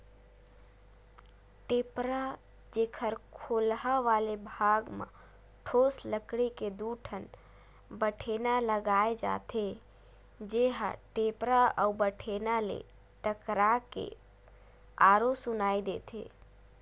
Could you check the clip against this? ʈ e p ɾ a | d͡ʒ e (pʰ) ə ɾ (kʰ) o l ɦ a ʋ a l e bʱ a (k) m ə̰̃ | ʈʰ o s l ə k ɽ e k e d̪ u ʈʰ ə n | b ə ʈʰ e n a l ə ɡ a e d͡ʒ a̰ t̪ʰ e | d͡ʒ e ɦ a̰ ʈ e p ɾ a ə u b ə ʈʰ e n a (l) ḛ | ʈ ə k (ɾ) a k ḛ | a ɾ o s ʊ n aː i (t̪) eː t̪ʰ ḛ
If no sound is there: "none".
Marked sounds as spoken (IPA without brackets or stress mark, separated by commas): kʰ, kʰ, ɡ, l, ɾ, d̪